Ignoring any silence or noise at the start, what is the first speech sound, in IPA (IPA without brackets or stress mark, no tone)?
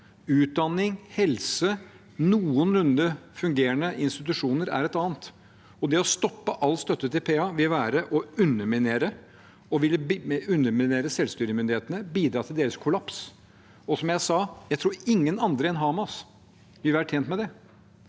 ʉː